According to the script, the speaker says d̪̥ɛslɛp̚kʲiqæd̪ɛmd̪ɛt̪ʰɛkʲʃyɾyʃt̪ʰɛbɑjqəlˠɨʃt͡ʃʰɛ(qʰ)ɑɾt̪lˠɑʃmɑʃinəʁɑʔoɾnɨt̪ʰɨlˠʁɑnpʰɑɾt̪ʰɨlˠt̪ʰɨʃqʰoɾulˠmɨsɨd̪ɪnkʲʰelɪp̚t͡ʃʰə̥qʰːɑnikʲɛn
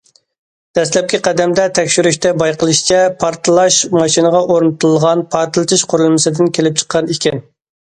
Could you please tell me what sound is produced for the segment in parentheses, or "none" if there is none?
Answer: pʰ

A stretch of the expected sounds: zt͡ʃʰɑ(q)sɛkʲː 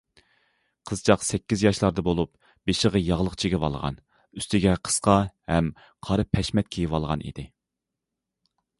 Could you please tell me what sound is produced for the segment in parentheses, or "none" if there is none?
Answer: q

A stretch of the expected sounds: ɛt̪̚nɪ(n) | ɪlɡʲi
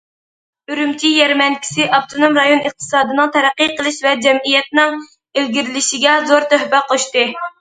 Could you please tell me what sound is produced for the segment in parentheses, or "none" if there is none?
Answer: ŋ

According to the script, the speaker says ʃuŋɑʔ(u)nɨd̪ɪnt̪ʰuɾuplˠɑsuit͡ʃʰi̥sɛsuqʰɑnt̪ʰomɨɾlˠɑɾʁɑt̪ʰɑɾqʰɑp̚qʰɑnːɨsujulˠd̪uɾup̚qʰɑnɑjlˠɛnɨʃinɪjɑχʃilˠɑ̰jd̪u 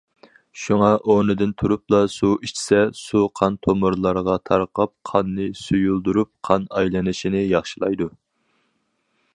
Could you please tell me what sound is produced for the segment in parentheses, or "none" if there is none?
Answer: o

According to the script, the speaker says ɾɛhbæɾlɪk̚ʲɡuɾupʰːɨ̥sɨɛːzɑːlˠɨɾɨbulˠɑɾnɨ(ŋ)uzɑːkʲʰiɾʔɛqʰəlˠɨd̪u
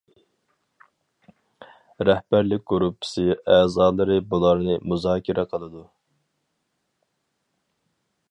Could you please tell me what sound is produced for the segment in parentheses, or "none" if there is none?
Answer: m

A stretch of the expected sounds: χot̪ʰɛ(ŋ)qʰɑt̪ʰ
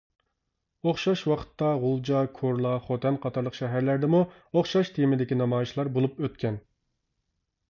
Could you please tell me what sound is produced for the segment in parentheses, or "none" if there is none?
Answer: n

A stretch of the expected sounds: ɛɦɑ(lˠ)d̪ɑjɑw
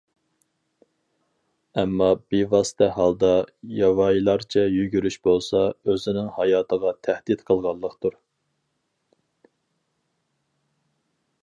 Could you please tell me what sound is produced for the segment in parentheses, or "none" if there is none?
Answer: lˠ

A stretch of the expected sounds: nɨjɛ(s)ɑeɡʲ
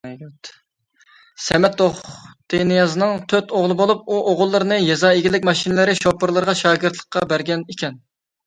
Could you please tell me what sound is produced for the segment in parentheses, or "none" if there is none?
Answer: z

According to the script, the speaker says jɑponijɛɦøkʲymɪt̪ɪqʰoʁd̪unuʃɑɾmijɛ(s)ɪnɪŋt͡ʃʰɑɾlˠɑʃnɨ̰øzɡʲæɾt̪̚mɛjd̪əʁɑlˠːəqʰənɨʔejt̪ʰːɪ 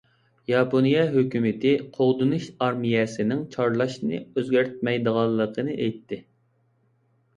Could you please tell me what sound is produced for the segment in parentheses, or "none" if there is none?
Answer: s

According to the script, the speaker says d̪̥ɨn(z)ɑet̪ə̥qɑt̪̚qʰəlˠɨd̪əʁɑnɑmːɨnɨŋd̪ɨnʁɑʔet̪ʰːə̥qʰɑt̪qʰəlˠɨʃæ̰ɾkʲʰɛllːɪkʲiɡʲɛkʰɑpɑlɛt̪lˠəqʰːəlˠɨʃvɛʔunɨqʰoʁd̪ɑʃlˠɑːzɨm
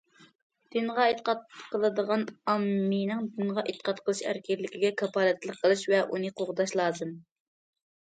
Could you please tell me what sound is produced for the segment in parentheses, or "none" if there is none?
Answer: ʁ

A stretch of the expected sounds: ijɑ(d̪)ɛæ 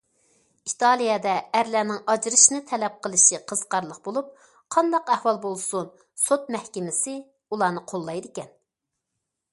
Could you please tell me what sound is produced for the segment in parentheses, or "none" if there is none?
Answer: d̪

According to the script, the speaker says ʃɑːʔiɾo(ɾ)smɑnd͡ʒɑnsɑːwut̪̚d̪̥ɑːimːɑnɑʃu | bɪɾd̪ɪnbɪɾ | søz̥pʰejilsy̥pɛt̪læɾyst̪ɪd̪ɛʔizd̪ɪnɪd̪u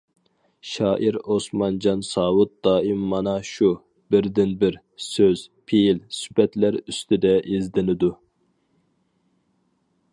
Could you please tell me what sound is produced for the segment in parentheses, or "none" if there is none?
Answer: none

